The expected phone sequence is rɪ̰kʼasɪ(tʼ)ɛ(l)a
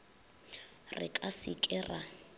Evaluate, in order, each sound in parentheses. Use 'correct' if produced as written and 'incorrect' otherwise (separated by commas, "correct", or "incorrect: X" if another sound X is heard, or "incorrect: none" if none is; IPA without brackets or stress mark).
incorrect: kʼ, incorrect: r